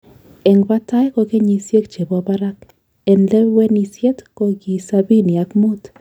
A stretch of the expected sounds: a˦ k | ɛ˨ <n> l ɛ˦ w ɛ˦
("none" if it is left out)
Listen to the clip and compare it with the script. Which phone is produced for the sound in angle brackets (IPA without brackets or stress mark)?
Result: n